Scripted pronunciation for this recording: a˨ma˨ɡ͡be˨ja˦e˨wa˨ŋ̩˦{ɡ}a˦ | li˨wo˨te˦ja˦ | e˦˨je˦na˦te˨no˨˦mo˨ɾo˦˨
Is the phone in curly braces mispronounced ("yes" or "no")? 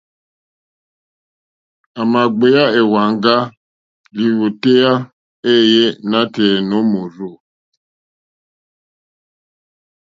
no